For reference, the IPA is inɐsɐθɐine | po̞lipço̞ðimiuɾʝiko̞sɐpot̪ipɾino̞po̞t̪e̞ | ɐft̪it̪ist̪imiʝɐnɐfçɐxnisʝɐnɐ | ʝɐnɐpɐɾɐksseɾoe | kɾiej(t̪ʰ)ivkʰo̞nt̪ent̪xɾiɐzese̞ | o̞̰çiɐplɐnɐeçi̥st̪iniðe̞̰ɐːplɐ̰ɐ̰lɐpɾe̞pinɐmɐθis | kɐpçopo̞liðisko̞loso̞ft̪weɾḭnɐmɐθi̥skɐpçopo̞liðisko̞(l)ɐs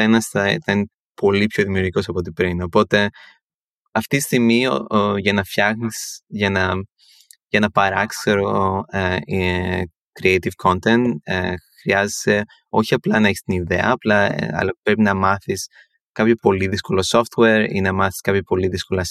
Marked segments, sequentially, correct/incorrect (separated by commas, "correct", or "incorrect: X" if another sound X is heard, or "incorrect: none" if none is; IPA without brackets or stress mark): incorrect: t̪, correct